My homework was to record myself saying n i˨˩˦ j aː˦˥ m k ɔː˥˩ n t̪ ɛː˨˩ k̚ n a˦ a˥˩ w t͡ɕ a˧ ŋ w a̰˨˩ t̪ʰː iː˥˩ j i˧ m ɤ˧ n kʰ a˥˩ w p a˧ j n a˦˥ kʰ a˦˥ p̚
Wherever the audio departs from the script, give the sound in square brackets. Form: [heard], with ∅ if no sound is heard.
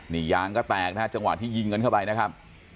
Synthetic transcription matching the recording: n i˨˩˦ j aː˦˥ [ŋ] k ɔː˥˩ [∅] t̪ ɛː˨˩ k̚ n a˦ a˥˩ [∅] t͡ɕ a˧ ŋ w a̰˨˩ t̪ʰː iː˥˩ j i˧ [ŋ] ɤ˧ n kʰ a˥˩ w p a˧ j n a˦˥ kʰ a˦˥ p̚